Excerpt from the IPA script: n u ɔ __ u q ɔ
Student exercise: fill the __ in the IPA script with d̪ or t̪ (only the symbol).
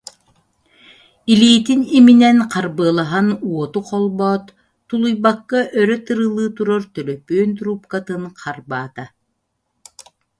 t̪